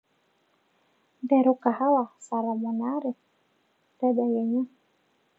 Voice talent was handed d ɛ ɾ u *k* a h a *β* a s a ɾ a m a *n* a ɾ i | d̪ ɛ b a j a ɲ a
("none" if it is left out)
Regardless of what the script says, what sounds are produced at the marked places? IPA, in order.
k, w, n

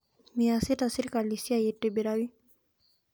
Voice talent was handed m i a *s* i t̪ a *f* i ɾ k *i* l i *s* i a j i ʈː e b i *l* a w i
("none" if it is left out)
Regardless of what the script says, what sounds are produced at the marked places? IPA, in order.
s, s, a, s, ɾ

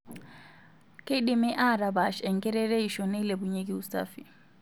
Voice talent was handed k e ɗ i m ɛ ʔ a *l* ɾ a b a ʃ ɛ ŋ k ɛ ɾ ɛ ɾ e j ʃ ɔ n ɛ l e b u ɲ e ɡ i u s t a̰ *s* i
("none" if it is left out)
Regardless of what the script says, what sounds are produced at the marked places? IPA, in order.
none, f

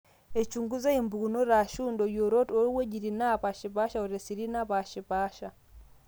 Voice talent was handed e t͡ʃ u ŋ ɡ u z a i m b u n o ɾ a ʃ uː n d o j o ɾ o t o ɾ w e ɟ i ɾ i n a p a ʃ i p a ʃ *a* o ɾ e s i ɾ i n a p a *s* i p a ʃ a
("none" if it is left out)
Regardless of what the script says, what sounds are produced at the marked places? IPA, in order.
a, ʃ

